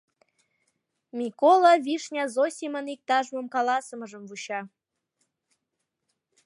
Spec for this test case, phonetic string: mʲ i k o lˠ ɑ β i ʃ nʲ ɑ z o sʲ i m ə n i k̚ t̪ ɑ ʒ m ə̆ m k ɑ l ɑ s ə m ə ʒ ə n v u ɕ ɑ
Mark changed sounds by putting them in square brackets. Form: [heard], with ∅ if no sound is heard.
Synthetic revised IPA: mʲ i k o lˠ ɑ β i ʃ nʲ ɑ z o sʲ i m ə n i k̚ t̪ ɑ ʒ m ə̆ m k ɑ l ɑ s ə m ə ʒ ə [m] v u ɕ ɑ